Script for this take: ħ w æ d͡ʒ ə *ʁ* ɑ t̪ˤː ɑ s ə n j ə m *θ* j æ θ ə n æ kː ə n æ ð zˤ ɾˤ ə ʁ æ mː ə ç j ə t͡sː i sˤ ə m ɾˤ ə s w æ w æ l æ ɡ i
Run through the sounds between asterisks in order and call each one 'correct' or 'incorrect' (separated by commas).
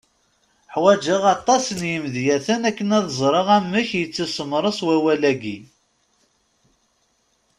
correct, incorrect